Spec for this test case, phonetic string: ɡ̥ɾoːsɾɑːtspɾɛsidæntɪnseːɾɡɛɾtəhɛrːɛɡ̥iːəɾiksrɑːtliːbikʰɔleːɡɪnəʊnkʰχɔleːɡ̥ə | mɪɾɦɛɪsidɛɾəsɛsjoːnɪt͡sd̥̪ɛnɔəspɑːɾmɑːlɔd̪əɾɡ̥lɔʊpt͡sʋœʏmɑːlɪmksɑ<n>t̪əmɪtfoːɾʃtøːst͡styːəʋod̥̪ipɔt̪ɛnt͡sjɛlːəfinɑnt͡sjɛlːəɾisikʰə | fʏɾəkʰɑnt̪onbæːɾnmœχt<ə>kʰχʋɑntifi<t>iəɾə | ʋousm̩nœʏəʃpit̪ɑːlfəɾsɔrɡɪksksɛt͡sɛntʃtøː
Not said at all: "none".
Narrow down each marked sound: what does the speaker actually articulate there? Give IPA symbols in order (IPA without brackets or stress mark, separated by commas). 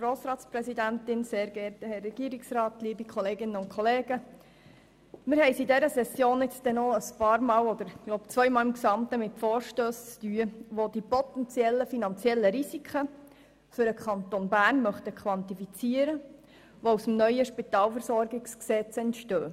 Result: m, ə, t͡s